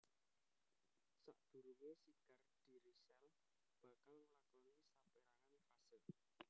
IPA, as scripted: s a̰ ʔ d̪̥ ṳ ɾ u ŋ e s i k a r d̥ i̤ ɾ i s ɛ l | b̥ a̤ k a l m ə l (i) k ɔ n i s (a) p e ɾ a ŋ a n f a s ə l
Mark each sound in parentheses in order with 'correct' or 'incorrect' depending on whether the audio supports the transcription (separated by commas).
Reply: incorrect, correct